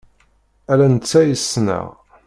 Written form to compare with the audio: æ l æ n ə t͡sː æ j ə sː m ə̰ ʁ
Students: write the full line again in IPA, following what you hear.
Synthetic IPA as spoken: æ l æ n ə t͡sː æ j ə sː n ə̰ ʁ

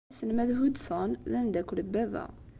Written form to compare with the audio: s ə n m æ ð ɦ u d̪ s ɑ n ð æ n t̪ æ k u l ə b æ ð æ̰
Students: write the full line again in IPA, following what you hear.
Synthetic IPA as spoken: s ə n m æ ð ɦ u d̪ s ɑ n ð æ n d̪ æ k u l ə b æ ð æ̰

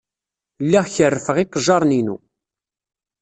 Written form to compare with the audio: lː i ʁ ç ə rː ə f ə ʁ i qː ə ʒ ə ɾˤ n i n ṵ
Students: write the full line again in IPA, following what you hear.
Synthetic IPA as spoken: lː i ʁ ç ə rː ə f ə ʁ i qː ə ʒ ɑ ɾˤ n i n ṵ

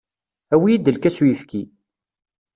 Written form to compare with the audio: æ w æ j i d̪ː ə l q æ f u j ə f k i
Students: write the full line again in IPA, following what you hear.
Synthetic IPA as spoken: æ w i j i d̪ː ə l k æ s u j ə f k i

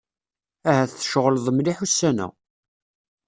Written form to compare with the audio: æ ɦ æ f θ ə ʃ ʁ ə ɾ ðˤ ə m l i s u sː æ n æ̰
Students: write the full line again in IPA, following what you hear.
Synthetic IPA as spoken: æ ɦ æ θ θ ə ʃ ʁ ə l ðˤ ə m l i ħ u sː æ n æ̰

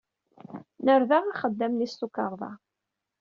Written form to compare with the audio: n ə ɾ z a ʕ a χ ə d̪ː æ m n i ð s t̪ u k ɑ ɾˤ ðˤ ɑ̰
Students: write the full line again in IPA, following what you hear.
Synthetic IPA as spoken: n ə ɾ ð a ʁ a χ ə d̪ː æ m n i s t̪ u k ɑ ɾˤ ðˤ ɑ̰

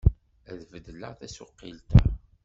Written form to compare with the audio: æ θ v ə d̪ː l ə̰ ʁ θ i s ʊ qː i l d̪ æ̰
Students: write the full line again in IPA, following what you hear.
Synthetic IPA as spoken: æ ð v ə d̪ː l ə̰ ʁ θ æ s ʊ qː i l t̪ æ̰

